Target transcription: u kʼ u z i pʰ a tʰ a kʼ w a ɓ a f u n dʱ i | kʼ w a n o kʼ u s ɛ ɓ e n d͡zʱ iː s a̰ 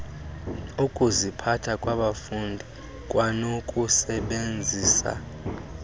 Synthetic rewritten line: u kʼ u z i pʰ a tʰ a kʼ w a ɓ a f u n dʱ i | kʼ w a n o kʼ u s ɛ ɓ e n d͡zʱ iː s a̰